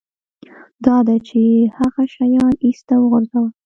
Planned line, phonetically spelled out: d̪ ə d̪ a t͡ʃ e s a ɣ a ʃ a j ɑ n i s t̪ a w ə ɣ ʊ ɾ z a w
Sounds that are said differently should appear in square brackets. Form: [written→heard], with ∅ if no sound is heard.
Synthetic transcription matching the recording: d̪ [ə→ɑ] d̪ a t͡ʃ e [s→h] a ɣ a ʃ a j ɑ n i s t̪ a w ə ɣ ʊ ɾ z a w